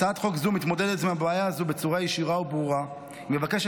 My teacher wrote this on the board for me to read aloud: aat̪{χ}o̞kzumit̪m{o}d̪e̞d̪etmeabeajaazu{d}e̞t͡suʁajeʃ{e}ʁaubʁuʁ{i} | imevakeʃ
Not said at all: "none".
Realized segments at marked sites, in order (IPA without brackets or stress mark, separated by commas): χ, o, b, i, a